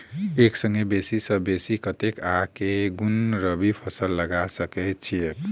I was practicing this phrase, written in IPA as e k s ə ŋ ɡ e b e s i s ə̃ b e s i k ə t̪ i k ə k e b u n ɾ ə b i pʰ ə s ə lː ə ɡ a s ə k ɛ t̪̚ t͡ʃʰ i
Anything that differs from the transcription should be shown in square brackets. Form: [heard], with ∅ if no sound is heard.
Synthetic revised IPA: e k s ə ŋ ɡ e b e s i s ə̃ b e s i k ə t̪ [e] k [a] k e [ɡ] u n ɾ ə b i pʰ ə s ə lː ə ɡ a s ə k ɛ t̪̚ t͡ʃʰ i